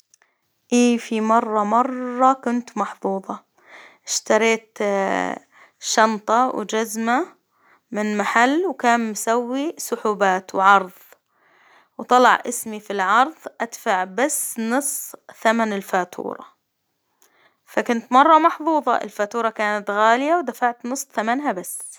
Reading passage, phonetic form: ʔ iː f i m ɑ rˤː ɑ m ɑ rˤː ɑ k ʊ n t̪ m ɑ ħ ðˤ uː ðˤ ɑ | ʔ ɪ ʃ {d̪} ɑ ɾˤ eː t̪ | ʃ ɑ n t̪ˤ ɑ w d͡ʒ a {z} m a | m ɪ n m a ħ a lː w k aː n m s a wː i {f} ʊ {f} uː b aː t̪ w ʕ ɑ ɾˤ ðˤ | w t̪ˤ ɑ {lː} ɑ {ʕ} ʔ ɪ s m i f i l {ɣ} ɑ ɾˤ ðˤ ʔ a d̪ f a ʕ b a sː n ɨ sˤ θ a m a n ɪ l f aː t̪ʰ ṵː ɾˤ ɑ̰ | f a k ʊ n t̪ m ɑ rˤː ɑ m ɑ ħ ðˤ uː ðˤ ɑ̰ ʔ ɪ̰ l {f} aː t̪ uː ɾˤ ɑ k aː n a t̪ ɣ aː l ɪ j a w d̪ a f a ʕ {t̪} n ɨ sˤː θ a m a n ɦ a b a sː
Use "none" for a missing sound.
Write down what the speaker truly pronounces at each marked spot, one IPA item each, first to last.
t̪, z, s, ħ, l, ʕ, ʕ, f, t̪

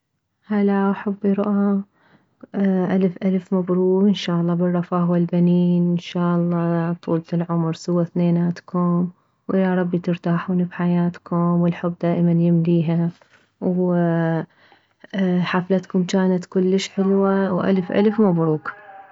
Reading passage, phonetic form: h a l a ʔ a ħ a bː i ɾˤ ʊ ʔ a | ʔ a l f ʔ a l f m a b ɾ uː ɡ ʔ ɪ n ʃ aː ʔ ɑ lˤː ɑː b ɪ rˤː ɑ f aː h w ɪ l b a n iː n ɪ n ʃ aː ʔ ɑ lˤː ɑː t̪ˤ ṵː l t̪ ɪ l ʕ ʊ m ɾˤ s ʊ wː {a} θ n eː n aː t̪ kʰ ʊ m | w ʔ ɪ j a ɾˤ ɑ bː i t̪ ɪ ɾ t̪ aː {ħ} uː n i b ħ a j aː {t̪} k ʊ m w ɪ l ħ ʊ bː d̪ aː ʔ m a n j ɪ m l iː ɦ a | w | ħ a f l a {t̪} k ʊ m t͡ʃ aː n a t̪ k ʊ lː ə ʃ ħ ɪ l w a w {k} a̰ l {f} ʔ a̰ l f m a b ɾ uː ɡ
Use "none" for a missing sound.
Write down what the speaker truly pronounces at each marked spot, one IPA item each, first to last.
a, ħ, t̪, t̪, ʔ, f

